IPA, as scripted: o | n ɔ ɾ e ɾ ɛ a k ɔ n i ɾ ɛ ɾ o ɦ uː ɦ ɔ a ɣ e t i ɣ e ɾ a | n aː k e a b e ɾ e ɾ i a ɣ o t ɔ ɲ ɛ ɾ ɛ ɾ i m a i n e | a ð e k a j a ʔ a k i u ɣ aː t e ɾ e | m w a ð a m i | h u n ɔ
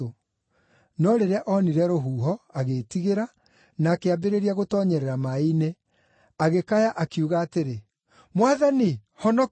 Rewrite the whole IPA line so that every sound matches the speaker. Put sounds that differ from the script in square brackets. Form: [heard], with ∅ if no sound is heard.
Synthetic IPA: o | n ɔ ɾ e ɾ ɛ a [ʔ] ɔ n i ɾ ɛ ɾ o ɦ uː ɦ ɔ a ɣ e t i ɣ e ɾ a | n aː k e a b e ɾ e ɾ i a ɣ o t ɔ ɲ ɛ ɾ ɛ ɾ [a] m a i n e | a [ɣ] e k a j a ʔ a k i u ɣ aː t e ɾ e | m w a ð a [n] i | h [ɔ] n ɔ